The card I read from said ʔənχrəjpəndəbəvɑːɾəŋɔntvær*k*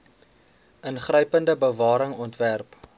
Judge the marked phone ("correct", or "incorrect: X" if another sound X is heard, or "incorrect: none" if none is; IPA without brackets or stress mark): incorrect: p